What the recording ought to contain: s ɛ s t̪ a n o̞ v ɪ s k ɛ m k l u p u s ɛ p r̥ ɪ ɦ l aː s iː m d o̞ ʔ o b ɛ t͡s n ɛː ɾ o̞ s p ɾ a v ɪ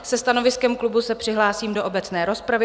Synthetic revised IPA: s ɛ s t̪ a n o̞ v ɪ s k ɛ m k l u b u s ɛ p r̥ ɪ ɦ l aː s iː m d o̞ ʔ o b ɛ t͡s n ɛː ɾ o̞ s p ɾ a v ɪ